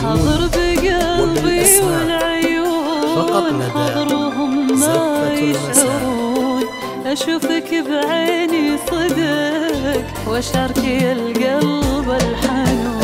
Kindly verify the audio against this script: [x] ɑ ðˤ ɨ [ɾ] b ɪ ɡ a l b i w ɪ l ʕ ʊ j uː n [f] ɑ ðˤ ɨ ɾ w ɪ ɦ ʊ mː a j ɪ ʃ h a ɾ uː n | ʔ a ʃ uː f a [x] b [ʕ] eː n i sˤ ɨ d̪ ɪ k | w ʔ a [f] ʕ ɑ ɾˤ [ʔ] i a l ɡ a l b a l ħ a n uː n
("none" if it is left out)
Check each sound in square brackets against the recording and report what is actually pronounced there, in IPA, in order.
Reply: ħ, ɾ, ħ, k, ʕ, ʃ, k

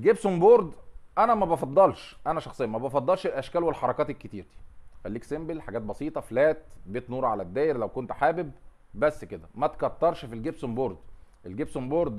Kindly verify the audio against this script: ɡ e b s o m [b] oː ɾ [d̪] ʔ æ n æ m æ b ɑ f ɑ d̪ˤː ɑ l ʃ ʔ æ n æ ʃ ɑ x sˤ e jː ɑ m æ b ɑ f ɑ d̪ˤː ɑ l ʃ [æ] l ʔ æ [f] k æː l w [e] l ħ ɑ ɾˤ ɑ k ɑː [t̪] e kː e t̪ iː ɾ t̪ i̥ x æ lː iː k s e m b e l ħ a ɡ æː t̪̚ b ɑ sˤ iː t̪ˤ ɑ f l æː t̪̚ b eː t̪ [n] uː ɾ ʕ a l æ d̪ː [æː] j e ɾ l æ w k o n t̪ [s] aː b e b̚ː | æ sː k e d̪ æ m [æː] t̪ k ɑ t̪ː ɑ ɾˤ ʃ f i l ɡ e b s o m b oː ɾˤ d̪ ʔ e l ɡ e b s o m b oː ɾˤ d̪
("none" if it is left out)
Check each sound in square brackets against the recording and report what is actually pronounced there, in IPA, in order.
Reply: b, d̪, e, ʃ, e, t̪, n, æː, ħ, æ

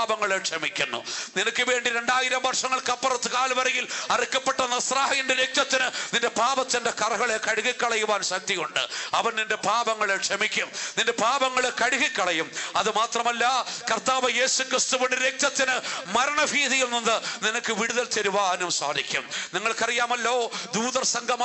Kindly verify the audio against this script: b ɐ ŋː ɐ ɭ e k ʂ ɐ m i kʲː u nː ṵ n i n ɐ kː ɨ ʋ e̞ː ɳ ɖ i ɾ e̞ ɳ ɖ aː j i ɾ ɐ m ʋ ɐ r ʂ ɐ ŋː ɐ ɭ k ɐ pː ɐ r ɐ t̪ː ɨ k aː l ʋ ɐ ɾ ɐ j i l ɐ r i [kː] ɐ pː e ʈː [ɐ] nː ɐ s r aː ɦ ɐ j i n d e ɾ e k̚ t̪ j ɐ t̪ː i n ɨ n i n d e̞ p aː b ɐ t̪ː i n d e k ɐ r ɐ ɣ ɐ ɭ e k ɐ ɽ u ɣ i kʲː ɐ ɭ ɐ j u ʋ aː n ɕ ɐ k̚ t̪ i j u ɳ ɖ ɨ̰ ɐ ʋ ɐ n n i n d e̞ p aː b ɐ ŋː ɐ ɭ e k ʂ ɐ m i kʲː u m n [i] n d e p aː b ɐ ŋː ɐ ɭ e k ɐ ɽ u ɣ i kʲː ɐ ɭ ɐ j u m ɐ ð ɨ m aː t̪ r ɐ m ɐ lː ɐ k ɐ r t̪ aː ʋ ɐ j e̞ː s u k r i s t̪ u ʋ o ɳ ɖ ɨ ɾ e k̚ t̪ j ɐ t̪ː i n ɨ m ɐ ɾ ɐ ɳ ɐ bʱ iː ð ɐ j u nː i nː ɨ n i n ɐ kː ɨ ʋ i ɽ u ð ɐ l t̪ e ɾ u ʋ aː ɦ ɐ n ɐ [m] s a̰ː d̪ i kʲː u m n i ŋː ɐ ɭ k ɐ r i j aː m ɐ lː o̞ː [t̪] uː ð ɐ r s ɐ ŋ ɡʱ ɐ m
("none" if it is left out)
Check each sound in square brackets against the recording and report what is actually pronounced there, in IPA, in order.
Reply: kː, ɐ, i, m, d̪

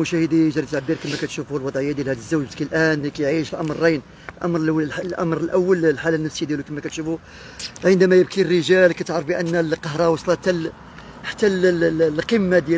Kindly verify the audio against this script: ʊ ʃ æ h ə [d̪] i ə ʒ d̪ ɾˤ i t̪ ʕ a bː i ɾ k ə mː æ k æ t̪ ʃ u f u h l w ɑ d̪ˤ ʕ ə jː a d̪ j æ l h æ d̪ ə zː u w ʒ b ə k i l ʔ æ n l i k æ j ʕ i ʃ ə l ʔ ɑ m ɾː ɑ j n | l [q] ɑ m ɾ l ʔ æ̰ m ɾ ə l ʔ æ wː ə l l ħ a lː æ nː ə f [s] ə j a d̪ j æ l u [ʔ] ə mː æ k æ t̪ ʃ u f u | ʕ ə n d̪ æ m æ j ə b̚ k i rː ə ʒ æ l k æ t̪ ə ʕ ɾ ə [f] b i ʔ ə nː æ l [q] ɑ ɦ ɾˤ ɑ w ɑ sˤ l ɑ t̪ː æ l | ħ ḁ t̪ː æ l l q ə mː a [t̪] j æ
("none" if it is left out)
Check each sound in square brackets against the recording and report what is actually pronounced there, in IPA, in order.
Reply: d̪, ʔ, s, k, f, q, d̪

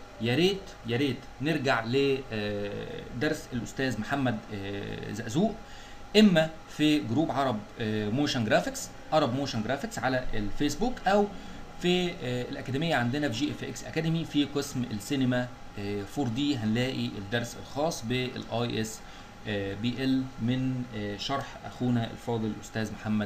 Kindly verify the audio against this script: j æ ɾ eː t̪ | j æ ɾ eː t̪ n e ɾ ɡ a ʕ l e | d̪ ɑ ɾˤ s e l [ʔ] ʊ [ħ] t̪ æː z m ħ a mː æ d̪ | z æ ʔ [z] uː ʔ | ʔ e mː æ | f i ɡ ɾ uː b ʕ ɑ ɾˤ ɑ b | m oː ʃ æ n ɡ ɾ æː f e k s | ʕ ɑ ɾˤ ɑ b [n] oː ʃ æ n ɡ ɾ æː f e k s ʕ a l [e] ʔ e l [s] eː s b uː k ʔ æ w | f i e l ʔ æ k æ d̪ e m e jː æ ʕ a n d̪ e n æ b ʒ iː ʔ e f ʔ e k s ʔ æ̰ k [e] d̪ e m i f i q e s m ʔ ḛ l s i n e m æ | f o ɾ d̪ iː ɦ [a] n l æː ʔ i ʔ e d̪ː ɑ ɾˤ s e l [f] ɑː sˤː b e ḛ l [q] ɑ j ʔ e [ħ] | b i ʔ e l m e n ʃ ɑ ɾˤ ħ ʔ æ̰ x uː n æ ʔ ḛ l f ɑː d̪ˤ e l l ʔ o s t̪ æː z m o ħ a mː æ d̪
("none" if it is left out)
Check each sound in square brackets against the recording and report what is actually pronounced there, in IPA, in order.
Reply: ʔ, s, z, m, æ, f, æ, æ, x, ʔ, s

